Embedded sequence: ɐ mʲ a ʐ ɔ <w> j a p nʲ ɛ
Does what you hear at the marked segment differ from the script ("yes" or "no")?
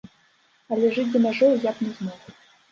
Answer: no